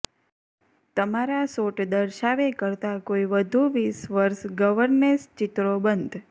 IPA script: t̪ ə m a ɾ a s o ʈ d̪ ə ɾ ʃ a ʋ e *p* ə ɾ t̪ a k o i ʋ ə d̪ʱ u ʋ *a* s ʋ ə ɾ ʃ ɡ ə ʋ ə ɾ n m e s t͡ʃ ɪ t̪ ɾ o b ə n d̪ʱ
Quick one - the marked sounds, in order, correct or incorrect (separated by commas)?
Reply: incorrect, incorrect